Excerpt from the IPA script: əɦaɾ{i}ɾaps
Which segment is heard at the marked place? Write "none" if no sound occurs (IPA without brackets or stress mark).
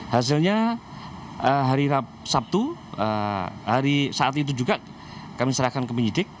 i